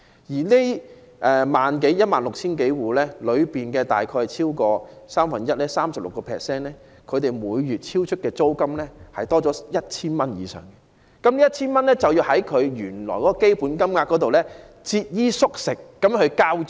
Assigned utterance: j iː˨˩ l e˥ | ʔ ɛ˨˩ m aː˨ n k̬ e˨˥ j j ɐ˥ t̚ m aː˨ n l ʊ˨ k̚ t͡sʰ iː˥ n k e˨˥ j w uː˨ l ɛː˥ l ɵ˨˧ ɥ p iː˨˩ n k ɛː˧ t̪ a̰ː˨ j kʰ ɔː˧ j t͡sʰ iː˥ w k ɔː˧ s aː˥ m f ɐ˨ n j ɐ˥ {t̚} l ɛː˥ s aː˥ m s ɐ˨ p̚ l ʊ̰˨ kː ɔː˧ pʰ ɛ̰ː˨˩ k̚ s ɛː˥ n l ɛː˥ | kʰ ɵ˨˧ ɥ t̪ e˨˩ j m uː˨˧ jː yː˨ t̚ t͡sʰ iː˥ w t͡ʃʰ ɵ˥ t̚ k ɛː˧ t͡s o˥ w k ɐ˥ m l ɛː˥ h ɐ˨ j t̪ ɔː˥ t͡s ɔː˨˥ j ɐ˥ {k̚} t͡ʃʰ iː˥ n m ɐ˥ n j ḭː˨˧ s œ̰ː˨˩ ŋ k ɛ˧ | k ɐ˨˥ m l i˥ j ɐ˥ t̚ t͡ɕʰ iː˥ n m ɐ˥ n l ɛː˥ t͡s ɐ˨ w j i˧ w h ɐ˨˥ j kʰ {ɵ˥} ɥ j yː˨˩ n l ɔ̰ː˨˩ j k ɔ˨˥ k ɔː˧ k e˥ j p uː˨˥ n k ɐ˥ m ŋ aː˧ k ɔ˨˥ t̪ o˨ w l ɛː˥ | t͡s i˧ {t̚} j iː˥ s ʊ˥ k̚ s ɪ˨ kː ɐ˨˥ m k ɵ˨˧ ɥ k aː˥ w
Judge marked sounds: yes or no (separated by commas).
yes, no, no, yes